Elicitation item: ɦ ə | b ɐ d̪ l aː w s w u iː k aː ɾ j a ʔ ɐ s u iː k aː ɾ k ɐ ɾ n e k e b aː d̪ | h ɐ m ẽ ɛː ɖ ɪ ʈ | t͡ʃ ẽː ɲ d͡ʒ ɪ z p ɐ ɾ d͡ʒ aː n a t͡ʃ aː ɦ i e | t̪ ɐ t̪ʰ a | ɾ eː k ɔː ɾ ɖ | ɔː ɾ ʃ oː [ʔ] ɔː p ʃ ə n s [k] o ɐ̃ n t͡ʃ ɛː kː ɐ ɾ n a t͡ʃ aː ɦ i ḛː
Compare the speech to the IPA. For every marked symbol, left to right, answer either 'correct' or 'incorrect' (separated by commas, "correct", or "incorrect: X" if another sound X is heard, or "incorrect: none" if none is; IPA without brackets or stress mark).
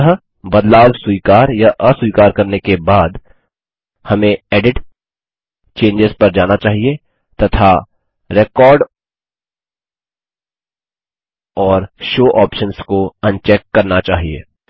correct, correct